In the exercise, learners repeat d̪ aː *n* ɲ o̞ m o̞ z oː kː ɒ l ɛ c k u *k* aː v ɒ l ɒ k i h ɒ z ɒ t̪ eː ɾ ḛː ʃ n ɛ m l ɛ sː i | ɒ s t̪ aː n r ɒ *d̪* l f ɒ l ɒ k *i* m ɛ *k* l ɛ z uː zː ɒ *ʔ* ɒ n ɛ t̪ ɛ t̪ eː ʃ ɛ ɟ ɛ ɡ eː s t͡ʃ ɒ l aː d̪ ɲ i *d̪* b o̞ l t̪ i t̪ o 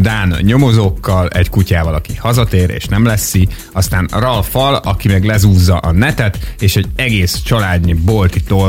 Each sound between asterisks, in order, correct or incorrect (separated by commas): correct, incorrect, incorrect, correct, incorrect, correct, incorrect